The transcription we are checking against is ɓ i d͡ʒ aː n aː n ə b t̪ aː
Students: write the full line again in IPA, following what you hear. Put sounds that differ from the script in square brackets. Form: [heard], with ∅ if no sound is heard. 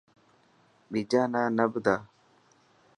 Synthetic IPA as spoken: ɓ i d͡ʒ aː n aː n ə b [d̪] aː